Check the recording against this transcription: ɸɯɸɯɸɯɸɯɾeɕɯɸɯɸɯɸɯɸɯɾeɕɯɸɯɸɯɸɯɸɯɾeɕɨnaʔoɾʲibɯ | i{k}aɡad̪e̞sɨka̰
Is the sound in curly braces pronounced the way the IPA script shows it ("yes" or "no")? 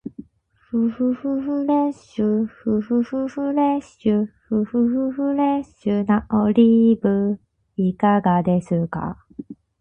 yes